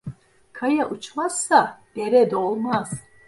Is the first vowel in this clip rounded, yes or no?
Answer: no